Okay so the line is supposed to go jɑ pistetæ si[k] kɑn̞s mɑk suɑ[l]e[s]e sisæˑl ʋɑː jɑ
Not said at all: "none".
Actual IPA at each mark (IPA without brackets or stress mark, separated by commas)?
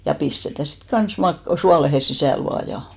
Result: t, l, h